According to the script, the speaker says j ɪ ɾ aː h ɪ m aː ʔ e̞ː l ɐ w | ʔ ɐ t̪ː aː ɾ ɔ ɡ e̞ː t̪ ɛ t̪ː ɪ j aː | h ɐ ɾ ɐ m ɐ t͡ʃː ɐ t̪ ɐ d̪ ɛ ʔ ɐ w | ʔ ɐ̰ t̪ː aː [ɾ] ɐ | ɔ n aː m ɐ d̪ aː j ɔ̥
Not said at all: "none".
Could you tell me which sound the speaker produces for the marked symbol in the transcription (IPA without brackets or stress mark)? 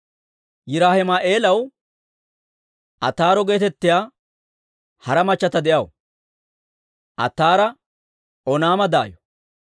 ɾ